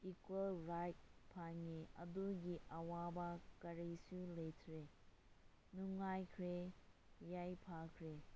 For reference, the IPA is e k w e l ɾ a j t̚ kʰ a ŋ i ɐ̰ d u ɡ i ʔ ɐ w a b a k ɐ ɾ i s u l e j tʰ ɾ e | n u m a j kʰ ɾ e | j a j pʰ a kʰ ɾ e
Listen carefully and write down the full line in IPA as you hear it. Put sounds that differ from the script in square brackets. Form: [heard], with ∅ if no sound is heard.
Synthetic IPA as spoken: [i] k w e l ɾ a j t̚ [pʰ] a ŋ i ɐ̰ d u ɡ i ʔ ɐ w a b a k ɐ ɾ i s u l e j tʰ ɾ e | n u [ŋ] a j kʰ ɾ e | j a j pʰ a kʰ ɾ e

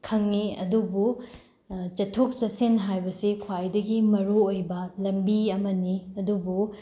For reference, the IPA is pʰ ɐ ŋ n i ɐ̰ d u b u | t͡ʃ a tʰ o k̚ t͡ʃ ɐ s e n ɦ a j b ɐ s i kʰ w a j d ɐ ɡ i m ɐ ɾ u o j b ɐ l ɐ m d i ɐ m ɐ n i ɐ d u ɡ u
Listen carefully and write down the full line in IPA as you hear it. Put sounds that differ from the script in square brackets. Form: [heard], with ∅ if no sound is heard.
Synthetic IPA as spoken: [kʰ] ɐ ŋ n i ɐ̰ d u b u | t͡ʃ [ɐ] tʰ o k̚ t͡ʃ ɐ s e n ɦ a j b ɐ s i kʰ w a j d ɐ ɡ i m ɐ ɾ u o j b ɐ l ɐ m [b] i ɐ m ɐ n i ɐ d u [b] u

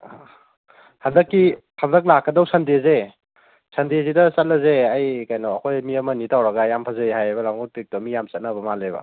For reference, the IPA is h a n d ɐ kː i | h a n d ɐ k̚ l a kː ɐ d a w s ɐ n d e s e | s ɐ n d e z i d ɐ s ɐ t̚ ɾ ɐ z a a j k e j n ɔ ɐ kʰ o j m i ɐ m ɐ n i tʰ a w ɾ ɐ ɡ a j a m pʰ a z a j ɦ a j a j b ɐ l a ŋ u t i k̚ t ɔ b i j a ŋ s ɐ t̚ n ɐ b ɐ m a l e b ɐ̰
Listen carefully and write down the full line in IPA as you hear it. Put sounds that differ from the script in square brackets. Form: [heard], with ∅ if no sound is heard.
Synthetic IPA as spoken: h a n d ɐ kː i | h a n d ɐ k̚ l a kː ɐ d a w s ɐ n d e [z] e | s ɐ n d e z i d ɐ s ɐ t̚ [l] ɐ z [e] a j k [a] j n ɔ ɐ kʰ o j m i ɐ m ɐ n i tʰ a w ɾ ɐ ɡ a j a m pʰ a z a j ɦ a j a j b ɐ l a ŋ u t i k̚ t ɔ [m] i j a [m] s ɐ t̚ n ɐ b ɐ m a l e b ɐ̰

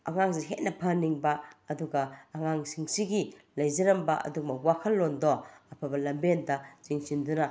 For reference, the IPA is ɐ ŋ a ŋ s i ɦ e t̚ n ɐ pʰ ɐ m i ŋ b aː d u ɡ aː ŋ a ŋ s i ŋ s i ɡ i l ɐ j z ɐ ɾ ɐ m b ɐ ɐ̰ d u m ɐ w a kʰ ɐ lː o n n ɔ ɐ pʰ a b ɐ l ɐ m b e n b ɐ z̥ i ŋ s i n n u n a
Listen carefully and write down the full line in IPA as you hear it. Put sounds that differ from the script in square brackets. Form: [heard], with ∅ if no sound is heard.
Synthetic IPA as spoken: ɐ ŋ a ŋ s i ɦ e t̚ n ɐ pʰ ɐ [n] i ŋ b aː d u ɡ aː ŋ a ŋ s i ŋ s i ɡ i l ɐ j z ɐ ɾ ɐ m b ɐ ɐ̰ d u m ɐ w a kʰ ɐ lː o n [d] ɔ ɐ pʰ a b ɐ l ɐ m b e n [d] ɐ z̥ i ŋ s i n [d] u n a

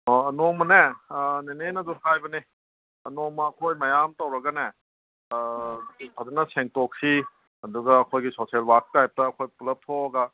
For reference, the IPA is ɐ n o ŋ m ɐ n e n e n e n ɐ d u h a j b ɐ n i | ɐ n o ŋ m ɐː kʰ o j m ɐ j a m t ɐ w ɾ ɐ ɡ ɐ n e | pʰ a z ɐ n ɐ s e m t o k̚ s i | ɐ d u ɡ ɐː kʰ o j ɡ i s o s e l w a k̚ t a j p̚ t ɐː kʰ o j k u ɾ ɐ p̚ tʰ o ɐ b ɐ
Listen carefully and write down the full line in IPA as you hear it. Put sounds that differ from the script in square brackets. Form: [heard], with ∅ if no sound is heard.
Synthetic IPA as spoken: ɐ n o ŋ m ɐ n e n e n e n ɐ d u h a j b ɐ n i | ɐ n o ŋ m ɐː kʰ o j m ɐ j a m t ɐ w ɾ ɐ ɡ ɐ n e | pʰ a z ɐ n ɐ s e [ŋ] t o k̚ s i | ɐ d u ɡ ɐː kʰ o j ɡ i s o s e l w a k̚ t a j p̚ t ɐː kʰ o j [p] u [l] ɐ p̚ tʰ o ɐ [ɡ] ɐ

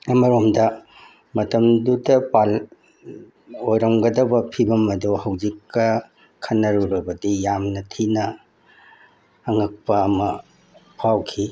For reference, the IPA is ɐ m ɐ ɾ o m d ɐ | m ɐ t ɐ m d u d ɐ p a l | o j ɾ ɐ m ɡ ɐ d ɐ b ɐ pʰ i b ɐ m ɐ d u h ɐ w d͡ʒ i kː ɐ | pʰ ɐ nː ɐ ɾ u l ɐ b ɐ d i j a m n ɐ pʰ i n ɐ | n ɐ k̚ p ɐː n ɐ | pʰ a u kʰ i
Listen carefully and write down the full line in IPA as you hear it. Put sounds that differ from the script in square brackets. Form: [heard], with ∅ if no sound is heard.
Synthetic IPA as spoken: ɐ m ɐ ɾ o m d ɐ | m ɐ t ɐ m d u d ɐ p a l | o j ɾ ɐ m ɡ ɐ d ɐ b ɐ pʰ i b ɐ m ɐ d u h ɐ w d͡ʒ i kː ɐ | [kʰ] ɐ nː ɐ ɾ u [ɾ] ɐ b ɐ d i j a m n ɐ [tʰ] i n ɐ | [ŋ] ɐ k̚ p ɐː [m] ɐ | pʰ a [w] kʰ i

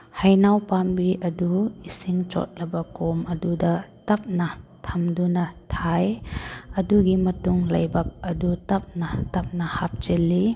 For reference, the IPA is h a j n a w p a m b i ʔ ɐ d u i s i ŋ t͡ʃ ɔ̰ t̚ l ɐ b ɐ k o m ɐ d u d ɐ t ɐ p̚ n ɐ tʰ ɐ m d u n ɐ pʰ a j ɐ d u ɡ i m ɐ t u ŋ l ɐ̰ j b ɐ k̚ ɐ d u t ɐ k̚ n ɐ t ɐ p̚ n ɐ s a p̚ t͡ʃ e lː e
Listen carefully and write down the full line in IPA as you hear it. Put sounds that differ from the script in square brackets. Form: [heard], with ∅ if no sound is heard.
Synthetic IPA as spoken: h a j n a w p a m b i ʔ ɐ d u i s i ŋ t͡ʃ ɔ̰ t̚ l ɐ b ɐ k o m ɐ d u d ɐ t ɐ p̚ n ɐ tʰ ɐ m d u n ɐ [tʰ] a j ɐ d u ɡ i m ɐ t u ŋ l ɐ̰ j b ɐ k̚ ɐ d u t ɐ [p̚] n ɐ t ɐ p̚ n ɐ [h] a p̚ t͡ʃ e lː [i]

